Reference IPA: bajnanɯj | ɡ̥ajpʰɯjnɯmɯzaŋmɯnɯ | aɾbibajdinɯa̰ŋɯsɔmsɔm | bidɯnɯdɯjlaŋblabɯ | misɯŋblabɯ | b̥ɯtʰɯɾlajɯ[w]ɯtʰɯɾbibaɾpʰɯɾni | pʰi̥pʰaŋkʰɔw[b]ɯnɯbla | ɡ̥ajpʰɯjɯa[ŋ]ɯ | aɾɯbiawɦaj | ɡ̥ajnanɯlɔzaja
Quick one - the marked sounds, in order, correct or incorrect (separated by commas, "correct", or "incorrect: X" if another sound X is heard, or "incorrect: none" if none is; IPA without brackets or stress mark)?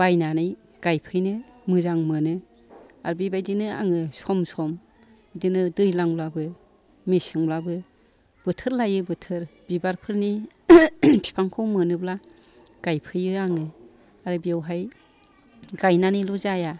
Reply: incorrect: b, incorrect: m, correct